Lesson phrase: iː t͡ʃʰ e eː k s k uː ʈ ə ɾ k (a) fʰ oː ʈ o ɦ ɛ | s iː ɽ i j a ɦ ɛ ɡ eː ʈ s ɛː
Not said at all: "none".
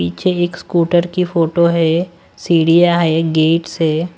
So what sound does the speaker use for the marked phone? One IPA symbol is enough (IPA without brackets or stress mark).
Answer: i